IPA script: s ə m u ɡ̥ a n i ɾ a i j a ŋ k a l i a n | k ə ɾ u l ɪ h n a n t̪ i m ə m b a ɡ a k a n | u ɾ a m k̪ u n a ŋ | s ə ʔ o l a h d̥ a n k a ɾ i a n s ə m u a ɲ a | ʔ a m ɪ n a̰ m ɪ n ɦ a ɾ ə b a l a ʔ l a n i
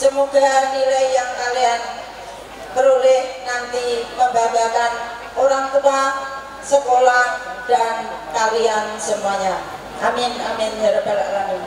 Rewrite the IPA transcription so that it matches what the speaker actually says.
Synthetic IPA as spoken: s ə m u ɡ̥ a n i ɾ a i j a ŋ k a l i a n | k ə ɾ u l ɪ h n a n t̪ i m ə m b a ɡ a k a n | o ɾ a ŋ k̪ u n a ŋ | s ə k o l a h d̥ a n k a ɾ i a n s ə m u a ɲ a | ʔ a m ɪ n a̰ m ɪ n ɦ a ɾ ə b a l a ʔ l a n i